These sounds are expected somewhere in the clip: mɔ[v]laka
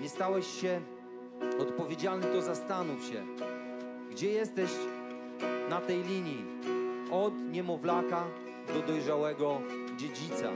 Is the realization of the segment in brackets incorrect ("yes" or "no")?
no